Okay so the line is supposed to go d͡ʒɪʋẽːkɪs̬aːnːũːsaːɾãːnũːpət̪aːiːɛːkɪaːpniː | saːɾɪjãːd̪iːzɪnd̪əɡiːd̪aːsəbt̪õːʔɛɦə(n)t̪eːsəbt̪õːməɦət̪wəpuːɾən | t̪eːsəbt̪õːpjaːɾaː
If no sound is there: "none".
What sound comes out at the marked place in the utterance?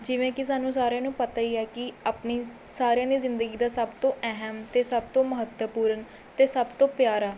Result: m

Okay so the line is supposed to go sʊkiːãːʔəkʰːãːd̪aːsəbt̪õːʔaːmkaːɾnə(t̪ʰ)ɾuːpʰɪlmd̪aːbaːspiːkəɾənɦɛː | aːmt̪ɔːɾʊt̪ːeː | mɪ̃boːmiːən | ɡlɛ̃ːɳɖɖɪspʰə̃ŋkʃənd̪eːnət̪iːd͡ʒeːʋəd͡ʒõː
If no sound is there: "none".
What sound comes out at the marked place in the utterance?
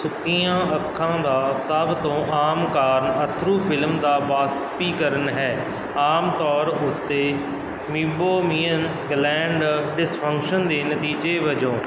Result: t̪ʰ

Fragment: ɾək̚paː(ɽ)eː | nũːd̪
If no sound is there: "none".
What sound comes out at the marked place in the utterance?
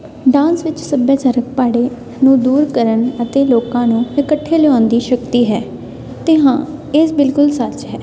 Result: ɽ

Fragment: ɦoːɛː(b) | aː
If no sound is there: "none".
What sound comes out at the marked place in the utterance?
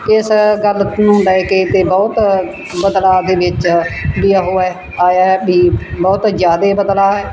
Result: none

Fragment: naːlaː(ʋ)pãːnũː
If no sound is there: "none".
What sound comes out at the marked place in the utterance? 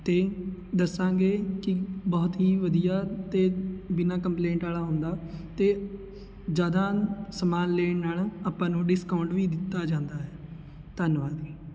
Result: none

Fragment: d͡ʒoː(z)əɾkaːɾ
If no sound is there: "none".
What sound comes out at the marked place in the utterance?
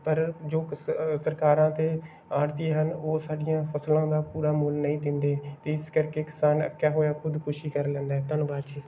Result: s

